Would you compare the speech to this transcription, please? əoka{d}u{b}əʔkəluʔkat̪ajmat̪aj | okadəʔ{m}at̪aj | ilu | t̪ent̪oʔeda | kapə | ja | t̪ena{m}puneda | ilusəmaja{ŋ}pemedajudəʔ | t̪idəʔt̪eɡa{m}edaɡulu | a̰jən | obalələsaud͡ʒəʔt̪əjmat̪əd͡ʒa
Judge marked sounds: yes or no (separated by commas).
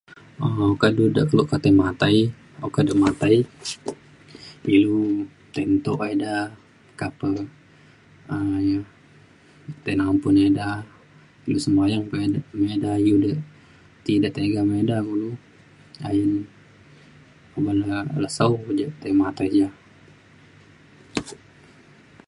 yes, no, yes, yes, yes, yes